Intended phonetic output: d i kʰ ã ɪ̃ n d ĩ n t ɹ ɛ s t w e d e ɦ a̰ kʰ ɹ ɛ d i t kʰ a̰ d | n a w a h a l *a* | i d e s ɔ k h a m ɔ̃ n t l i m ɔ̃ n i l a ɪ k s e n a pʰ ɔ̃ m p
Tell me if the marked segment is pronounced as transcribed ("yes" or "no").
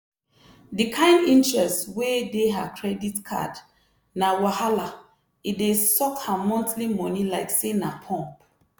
yes